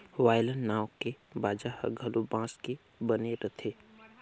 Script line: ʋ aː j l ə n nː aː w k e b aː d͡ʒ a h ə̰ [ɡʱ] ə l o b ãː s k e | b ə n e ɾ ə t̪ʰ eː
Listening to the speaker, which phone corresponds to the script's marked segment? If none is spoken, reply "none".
ɡʱ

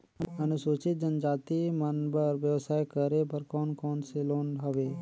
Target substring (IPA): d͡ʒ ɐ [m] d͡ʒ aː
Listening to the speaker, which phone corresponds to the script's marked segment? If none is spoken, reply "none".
n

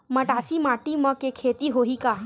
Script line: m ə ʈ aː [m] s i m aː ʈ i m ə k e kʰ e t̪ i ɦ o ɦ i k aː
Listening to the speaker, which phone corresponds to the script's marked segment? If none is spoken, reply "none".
none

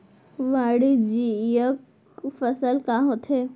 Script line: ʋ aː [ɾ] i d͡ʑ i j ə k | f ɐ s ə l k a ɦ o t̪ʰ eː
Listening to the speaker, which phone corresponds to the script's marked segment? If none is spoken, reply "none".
ɽ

